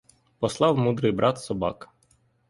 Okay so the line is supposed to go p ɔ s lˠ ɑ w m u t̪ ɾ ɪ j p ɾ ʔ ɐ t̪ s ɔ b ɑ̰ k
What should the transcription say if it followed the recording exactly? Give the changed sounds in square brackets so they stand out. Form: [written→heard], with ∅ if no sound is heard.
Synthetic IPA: p ɔ s lˠ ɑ w m u [t̪→d̪] ɾ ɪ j [p→b] ɾ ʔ [ɐ→ɑ] t̪ s ɔ b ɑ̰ k